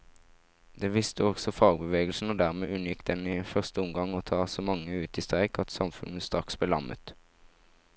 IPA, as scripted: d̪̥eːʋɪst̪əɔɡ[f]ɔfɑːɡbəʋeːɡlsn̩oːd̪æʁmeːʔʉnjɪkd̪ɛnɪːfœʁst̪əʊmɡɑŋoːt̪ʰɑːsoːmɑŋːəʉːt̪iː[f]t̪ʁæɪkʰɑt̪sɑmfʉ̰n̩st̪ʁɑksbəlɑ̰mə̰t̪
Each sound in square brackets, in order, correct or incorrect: incorrect: s, incorrect: s

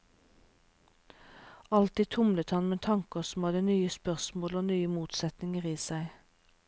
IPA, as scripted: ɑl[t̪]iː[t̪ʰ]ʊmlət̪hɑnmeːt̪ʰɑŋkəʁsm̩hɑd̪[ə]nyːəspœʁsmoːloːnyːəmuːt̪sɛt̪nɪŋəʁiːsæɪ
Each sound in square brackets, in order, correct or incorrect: correct, correct, correct

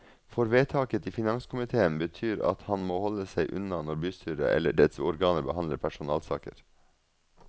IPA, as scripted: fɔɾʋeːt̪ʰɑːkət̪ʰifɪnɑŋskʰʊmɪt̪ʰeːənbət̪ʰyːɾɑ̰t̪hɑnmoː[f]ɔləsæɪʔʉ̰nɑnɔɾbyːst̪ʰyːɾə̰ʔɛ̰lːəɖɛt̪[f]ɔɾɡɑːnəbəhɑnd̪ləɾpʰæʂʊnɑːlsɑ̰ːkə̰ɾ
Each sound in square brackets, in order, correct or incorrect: incorrect: h, incorrect: s

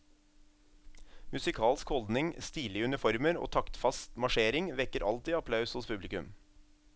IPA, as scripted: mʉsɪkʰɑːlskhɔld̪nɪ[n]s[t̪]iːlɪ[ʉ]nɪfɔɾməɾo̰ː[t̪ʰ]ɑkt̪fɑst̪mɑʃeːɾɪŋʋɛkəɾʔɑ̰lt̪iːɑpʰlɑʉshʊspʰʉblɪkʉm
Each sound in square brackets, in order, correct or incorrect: incorrect: ŋ, correct, correct, correct

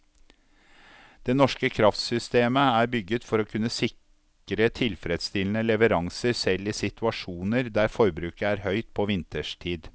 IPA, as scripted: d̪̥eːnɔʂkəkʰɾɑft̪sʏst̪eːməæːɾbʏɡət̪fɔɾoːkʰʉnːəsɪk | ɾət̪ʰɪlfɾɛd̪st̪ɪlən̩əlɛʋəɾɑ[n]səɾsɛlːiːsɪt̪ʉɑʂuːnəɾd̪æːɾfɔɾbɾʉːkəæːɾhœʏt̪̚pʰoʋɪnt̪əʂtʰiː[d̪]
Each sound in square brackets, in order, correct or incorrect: incorrect: ŋ, correct

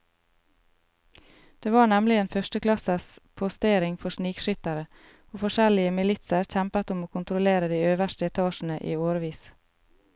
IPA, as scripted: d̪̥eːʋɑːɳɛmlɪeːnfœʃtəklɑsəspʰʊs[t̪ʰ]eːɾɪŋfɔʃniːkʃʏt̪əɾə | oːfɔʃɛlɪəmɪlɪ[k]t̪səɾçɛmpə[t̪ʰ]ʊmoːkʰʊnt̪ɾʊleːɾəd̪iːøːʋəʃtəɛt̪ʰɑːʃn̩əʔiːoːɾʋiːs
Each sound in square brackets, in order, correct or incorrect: incorrect: t̪, incorrect: none, incorrect: t̪

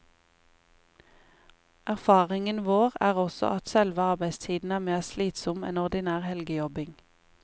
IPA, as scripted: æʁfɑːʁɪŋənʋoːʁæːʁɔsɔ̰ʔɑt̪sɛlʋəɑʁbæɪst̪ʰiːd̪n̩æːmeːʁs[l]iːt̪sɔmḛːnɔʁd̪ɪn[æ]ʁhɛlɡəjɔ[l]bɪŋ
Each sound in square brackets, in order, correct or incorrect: correct, incorrect: æː, incorrect: none

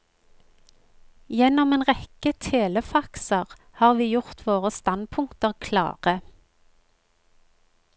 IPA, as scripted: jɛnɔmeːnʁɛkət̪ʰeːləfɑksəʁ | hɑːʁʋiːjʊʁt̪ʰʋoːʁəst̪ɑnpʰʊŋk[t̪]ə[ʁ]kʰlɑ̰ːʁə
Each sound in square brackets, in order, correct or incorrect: correct, correct

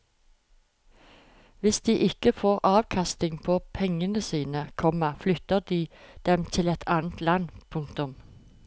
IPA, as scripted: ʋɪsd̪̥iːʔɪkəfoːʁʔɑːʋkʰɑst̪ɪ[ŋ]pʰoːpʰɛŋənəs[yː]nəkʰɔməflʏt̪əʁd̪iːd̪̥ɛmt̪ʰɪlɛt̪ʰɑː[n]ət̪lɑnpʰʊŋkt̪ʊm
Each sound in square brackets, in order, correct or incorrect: correct, incorrect: iː, correct

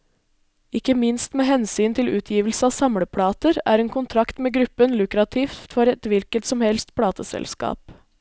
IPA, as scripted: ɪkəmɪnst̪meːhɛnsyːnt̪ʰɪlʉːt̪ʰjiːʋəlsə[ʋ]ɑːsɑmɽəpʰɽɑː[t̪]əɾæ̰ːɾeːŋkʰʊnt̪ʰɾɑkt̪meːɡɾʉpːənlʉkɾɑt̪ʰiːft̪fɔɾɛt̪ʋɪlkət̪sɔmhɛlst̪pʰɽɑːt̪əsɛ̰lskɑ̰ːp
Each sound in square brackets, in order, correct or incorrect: incorrect: none, correct

